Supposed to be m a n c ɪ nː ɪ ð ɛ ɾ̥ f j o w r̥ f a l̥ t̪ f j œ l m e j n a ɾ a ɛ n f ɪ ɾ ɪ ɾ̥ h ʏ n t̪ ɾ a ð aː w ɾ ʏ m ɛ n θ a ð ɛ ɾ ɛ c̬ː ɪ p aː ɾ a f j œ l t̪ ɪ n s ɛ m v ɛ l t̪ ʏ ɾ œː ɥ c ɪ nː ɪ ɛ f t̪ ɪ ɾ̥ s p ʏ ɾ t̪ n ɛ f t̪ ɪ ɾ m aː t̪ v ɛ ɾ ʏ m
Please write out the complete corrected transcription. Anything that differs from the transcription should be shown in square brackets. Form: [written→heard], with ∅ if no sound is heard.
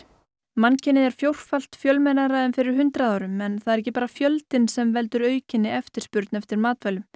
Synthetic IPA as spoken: m a n c ɪ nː ɪ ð ɛ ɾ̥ f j o w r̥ f a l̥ t̪ f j œ l m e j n a ɾ a ɛ n f ɪ ɾ ɪ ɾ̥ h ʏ n t̪ ɾ a ð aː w ɾ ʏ m ɛ n θ a ð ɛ ɾ ɛ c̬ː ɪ p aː ɾ a f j œ l t̪ ɪ n s ɛ m v ɛ l t̪ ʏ ɾ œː ɥ c ɪ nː ɪ ɛ f t̪ ɪ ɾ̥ s p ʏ ɾ t̪ n ɛ f t̪ ɪ ɾ m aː t̪ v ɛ [ɾ→l] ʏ m

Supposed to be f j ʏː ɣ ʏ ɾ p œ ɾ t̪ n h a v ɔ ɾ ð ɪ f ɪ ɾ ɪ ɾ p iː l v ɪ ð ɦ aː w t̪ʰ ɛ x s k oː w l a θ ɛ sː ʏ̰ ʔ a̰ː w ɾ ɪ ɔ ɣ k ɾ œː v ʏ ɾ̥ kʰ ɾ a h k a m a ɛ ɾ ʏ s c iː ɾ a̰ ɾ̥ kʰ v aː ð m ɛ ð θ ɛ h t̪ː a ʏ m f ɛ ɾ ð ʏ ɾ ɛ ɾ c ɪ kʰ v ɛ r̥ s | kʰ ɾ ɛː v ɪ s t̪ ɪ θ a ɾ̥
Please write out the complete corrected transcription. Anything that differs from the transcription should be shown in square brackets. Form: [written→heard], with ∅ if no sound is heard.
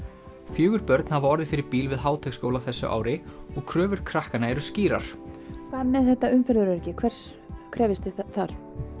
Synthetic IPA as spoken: f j ʏː ɣ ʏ ɾ p œ ɾ t̪ n h a v ɔ ɾ ð ɪ f ɪ ɾ ɪ ɾ p iː l v ɪ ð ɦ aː w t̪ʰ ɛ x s k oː w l a θ ɛ sː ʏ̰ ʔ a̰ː w ɾ ɪ ɔ ɣ [k→kʰ] ɾ œː v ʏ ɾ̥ kʰ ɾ a h k a [m→n] a ɛ ɾ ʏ s c iː ɾ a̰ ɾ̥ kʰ v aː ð m ɛ ð θ ɛ h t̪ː a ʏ m f ɛ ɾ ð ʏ ɾ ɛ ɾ c ɪ kʰ v ɛ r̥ s | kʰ ɾ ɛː v ɪ s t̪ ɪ θ a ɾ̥

